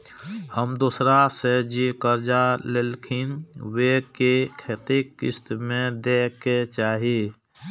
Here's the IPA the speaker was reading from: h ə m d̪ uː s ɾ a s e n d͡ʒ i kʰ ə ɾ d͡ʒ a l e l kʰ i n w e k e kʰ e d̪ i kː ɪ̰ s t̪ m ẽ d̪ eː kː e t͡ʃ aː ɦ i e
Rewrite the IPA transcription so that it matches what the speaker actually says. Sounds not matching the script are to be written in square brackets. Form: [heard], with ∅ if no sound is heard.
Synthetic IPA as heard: h ə m d̪ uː s ɾ a s e [∅] d͡ʒ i [k] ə ɾ d͡ʒ a l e l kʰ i n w e k e kʰ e [t̪] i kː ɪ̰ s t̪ m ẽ d̪ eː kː e t͡ʃ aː ɦ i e